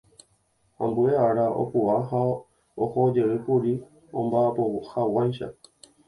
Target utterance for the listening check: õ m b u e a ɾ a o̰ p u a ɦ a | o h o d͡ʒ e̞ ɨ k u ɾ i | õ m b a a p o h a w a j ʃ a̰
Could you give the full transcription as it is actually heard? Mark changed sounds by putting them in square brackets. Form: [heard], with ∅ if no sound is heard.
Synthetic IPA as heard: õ m b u e a ɾ a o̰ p u a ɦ a | o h o d͡ʒ e̞ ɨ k u ɾ i | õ m b a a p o h a w a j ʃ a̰